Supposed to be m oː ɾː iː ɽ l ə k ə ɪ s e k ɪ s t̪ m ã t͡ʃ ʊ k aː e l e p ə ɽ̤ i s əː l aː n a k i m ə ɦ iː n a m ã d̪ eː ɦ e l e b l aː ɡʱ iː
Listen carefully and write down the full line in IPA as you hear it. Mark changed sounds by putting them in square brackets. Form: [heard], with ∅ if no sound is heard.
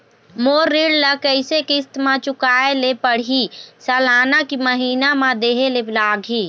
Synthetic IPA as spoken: m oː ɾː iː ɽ l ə k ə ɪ s e k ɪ s t̪ m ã t͡ʃ ʊ k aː e l e p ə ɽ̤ i s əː l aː n a k i m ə ɦ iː n a m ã d̪ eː ɦ e l e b l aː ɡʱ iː

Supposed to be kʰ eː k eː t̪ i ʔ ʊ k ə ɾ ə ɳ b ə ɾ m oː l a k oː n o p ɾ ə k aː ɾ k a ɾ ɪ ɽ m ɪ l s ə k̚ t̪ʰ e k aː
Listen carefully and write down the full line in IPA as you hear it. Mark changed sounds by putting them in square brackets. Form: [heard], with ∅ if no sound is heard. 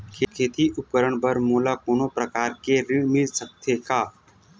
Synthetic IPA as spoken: kʰ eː [kʰ] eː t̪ i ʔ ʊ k ə ɾ ə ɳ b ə ɾ m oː l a k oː n o p ɾ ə k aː ɾ k [e] ɾ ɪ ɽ m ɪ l s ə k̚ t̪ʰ e k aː

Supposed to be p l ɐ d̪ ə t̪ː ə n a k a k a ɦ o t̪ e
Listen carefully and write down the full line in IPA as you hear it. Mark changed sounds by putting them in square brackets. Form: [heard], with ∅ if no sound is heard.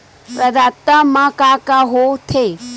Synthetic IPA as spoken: p [ɾ] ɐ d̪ [a] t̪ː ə [m] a k a k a ɦ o [t̪ʰ] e

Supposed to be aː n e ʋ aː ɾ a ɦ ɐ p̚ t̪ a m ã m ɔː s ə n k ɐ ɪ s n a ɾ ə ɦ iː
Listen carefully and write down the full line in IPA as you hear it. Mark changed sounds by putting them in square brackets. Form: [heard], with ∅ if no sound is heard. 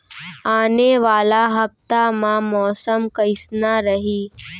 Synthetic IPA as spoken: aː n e ʋ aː [l] a ɦ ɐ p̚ t̪ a m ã m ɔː s ə [m] k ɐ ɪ s n a ɾ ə ɦ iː

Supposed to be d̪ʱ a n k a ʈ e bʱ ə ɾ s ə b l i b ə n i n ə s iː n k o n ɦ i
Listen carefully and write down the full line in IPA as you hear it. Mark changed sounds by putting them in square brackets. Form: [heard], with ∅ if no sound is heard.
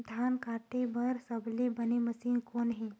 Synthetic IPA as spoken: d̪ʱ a n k a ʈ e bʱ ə ɾ s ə b l i b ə n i [m] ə s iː n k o n ɦ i

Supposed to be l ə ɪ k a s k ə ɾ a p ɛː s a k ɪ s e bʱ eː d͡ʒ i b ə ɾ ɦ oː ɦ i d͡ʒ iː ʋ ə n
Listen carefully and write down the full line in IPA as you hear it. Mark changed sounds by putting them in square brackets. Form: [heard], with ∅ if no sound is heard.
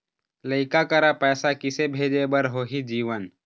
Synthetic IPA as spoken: l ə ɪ k a [∅] k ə ɾ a p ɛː s a k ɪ s e bʱ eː d͡ʒ [e] b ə ɾ ɦ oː ɦ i d͡ʒ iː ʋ ə n

